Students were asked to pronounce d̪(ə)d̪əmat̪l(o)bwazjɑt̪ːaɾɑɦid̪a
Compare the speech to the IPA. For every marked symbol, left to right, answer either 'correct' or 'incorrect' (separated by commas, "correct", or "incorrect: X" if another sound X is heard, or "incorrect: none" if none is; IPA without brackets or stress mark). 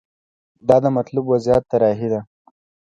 incorrect: ɑ, incorrect: u